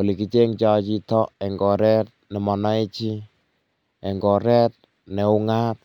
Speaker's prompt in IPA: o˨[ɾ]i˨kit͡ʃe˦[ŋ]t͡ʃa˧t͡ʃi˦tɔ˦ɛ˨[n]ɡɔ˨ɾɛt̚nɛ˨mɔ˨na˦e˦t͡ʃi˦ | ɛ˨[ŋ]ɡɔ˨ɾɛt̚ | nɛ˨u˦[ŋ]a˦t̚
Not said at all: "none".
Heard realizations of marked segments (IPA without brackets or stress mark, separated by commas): l, ŋ, ŋ, ŋ, ŋ